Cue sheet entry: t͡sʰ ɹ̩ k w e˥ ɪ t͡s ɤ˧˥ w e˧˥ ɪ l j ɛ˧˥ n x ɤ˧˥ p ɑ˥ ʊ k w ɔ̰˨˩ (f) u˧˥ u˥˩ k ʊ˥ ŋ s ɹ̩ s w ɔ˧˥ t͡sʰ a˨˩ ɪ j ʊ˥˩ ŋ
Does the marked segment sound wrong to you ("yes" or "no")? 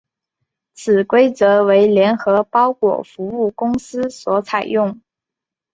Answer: no